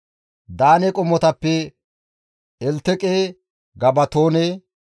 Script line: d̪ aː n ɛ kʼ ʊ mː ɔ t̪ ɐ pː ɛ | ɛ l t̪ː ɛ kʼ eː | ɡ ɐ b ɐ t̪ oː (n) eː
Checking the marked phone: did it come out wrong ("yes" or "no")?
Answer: no